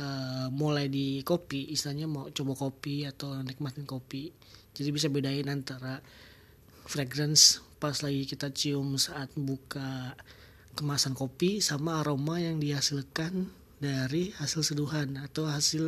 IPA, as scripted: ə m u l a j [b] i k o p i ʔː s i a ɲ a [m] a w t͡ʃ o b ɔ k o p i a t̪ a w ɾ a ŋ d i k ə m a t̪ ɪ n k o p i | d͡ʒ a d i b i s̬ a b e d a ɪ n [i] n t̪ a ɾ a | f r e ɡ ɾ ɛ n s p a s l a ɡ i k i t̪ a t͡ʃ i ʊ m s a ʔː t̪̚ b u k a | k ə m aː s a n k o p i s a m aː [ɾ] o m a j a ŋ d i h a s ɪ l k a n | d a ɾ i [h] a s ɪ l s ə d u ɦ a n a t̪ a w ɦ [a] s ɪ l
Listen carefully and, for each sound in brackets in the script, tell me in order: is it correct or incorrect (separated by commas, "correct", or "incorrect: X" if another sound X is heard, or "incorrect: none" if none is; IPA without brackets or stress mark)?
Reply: incorrect: d, correct, incorrect: a, correct, correct, correct